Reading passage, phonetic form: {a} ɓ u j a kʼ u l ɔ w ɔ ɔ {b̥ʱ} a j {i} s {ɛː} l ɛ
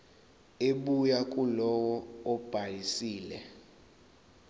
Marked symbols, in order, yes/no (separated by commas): no, yes, yes, no